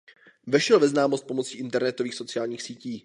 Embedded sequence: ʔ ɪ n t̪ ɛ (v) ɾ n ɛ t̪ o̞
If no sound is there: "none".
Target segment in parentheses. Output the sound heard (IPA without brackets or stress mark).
none